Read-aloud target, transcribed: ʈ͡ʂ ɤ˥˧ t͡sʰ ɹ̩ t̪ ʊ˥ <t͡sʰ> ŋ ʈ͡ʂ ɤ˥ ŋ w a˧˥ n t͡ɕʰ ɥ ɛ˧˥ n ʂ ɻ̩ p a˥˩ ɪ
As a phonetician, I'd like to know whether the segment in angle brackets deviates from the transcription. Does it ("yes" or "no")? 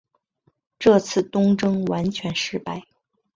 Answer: yes